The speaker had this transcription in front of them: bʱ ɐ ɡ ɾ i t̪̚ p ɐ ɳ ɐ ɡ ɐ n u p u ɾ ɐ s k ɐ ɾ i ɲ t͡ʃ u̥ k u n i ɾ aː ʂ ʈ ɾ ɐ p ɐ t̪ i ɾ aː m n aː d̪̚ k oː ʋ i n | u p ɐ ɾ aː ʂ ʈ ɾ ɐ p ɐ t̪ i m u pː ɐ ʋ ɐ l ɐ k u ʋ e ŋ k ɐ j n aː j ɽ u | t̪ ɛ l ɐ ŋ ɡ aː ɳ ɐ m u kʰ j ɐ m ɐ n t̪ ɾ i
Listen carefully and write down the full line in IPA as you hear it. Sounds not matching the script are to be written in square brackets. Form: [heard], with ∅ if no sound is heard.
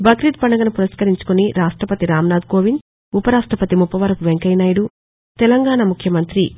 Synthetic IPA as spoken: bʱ ɐ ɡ ɾ i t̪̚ p ɐ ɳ ɐ ɡ ɐ n u p u ɾ ɐ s k ɐ ɾ i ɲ t͡ʃ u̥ k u n i ɾ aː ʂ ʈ ɾ ɐ p ɐ t̪ i ɾ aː m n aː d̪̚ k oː ʋ i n | u p ɐ ɾ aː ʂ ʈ ɾ ɐ p ɐ t̪ i m u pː ɐ ʋ ɐ [ɾ] ɐ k u ʋ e ŋ k ɐ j n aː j ɽ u | t̪ ɛ l ɐ ŋ ɡ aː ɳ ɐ m u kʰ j ɐ m ɐ n t̪ ɾ i